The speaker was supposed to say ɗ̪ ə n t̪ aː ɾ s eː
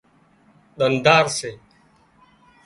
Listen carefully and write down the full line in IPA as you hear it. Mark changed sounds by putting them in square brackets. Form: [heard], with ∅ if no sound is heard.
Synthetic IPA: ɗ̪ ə n [d̪] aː ɾ s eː